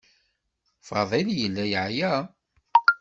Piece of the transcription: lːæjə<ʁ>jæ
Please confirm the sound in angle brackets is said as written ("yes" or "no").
no